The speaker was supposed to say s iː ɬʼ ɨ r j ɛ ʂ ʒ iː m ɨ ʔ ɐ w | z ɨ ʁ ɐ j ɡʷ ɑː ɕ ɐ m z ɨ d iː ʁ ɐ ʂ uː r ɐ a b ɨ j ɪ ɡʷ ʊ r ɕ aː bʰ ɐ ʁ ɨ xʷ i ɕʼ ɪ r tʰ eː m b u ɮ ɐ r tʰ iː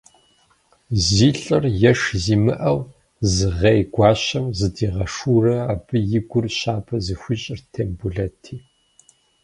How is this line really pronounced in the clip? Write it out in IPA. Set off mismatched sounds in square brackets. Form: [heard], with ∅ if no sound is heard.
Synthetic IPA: [z] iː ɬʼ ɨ r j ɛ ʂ [z] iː m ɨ ʔ ɐ w | z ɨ ʁ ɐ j ɡʷ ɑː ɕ ɐ m z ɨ d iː ʁ ɐ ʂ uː r ɐ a b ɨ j ɪ ɡʷ ʊ r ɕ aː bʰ ɐ [z] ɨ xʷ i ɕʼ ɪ r tʰ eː m b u ɮ ɐ [∅] tʰ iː